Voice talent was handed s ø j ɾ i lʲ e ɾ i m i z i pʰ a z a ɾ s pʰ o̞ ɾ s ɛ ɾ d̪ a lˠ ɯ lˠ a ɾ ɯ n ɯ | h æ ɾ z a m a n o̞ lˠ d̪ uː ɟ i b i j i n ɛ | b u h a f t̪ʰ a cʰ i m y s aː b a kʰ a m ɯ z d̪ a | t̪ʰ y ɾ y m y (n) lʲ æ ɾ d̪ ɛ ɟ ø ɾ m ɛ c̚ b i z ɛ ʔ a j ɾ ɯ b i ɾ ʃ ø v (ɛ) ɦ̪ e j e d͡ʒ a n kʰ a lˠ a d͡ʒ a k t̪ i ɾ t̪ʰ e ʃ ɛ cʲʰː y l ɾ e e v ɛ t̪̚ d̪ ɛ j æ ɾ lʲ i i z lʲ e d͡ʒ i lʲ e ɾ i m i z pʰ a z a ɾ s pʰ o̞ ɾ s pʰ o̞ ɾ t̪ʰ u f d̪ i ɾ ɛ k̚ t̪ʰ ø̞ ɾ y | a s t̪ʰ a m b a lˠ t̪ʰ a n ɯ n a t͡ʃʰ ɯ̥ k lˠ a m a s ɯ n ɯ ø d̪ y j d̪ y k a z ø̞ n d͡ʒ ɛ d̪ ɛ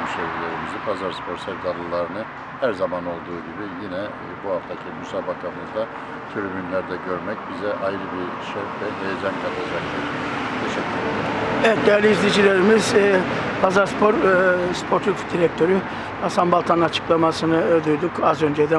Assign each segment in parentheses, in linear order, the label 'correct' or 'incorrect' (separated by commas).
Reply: correct, correct